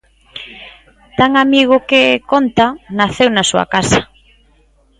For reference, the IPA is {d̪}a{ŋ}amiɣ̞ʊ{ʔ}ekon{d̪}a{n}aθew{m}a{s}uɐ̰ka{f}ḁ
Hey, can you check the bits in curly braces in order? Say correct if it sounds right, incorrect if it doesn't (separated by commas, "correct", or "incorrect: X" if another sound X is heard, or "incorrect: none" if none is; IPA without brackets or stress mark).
incorrect: t̪, correct, incorrect: k, incorrect: t̪, correct, incorrect: n, correct, incorrect: s